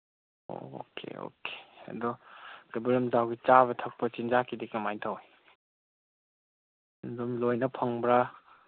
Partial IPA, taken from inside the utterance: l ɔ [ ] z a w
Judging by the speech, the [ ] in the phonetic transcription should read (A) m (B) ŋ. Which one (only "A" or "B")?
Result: A